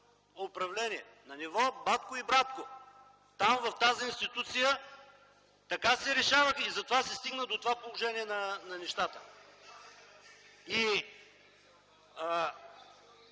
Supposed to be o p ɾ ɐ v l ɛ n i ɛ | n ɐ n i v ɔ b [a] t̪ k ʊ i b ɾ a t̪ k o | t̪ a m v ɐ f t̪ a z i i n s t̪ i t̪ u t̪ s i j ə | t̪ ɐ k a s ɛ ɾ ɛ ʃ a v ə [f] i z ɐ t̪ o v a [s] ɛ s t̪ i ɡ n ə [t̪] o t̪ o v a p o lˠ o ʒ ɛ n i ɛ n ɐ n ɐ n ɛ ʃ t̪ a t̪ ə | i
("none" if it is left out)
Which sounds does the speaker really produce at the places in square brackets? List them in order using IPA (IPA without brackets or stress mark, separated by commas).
a, x, s, d̪